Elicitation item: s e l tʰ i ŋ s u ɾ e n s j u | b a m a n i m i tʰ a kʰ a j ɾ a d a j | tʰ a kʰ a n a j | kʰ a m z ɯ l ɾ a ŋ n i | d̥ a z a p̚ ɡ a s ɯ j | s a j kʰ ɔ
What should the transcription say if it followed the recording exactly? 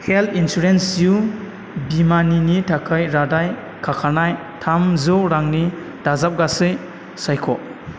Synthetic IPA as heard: h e l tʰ i n s u ɾ e n s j u | b i m a n i n i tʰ a kʰ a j ɾ a d a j | kʰ a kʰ a n a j | tʰ a m z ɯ ɾ a ŋ n i | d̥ a z a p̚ ɡ a s ɯ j | s a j kʰ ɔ